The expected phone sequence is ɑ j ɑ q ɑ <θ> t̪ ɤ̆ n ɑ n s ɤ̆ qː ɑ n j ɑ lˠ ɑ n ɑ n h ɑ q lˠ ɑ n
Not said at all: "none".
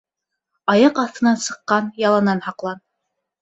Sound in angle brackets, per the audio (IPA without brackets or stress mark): θ